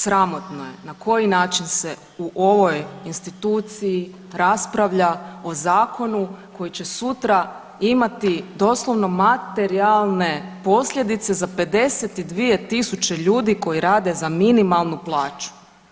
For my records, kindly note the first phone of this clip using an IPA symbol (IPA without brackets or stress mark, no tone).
s